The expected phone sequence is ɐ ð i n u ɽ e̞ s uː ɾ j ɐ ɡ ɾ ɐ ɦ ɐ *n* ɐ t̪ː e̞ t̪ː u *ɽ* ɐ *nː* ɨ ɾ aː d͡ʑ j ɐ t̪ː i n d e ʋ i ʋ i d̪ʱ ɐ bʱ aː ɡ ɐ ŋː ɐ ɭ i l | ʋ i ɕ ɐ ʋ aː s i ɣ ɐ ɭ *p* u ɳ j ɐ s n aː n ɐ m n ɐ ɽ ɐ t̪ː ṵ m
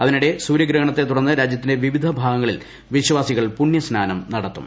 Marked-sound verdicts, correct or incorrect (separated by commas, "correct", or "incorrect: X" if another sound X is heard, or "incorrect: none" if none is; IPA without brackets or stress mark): incorrect: ɳ, correct, correct, correct